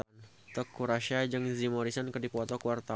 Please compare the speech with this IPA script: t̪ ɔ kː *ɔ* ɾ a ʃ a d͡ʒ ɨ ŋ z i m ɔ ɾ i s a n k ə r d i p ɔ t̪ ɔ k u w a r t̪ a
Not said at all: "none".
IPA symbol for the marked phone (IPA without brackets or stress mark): u